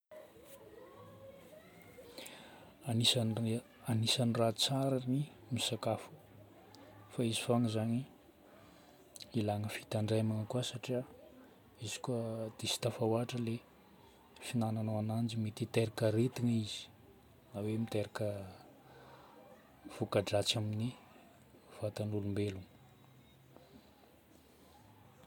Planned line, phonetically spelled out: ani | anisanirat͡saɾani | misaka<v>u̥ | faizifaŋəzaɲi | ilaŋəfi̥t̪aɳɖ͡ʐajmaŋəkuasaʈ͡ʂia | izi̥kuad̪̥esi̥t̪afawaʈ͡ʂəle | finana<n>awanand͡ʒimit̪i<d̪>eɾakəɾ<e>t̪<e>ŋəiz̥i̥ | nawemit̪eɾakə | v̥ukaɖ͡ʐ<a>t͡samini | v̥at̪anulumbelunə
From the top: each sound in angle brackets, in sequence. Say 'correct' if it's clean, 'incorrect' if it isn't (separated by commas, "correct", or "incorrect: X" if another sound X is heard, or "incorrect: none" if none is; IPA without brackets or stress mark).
incorrect: f, correct, incorrect: t̪, correct, incorrect: i, correct